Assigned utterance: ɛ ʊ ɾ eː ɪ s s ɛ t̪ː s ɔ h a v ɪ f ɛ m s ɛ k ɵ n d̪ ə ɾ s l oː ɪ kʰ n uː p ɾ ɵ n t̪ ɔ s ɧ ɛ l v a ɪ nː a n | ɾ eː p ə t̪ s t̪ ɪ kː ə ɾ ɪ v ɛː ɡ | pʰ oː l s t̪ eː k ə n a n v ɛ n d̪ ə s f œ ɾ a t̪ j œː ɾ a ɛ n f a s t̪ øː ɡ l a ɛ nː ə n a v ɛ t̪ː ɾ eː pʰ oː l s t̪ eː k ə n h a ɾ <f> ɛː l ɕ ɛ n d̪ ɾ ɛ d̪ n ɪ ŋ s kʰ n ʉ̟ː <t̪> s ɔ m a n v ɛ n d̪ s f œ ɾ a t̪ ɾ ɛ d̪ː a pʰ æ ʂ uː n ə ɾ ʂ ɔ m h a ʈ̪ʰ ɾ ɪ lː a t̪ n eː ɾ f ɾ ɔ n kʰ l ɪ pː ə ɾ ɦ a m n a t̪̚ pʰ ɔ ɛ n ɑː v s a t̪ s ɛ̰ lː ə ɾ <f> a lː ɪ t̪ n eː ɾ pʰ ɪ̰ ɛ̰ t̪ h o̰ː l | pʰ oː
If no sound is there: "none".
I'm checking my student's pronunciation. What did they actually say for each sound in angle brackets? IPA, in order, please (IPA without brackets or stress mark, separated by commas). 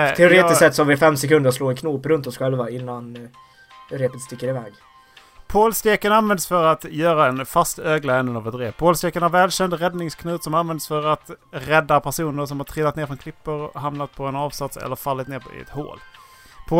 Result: v, t̪, f